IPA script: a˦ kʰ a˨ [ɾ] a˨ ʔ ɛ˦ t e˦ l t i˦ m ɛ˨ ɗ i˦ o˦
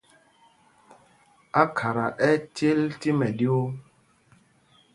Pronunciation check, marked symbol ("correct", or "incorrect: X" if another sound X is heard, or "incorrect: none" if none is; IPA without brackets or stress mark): correct